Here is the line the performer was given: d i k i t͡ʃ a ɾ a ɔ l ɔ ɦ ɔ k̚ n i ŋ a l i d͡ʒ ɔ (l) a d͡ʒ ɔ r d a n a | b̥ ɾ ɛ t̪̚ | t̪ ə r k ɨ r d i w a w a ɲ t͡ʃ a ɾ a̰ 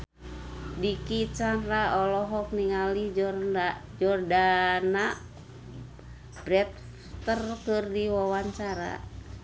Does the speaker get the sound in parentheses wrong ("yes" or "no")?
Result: yes